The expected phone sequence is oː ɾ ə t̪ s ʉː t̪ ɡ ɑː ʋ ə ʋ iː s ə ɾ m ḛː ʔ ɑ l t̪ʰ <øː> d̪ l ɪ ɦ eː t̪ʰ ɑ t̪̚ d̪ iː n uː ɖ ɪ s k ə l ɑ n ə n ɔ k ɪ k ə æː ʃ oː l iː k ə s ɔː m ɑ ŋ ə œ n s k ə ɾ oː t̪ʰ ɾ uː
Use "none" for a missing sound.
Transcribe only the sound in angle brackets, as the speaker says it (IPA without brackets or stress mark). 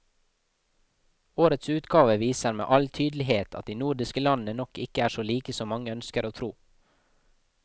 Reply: yː